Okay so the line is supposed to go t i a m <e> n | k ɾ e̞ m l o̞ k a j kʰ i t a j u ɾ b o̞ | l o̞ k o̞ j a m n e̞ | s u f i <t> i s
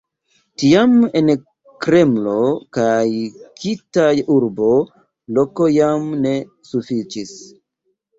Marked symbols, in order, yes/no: yes, no

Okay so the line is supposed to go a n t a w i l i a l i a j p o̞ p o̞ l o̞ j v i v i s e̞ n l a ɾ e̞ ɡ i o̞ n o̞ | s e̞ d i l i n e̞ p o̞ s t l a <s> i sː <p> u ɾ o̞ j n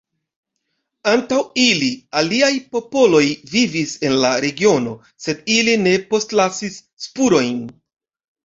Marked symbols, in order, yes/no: yes, yes

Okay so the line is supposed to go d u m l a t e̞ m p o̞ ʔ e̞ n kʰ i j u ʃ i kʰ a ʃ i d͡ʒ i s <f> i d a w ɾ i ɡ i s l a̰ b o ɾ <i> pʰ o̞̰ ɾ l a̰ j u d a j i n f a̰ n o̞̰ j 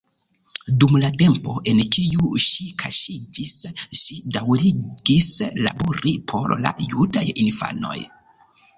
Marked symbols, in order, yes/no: no, yes

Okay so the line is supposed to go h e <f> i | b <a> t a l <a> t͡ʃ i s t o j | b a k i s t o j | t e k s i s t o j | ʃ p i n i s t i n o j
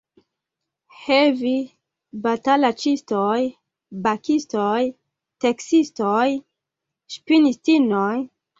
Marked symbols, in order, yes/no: no, yes, yes

